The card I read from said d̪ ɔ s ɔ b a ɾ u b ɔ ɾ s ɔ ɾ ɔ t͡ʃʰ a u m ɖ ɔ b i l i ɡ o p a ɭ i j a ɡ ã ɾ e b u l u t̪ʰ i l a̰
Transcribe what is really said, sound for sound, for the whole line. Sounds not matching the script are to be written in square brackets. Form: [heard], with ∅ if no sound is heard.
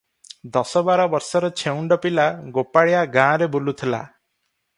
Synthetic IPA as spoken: d̪ ɔ s ɔ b a ɾ [ɔ] b ɔ ɾ s ɔ ɾ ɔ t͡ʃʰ [e] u [ɳ] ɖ ɔ [p] i l [a] ɡ o p a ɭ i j a ɡ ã ɾ e b u l u t̪ʰ i l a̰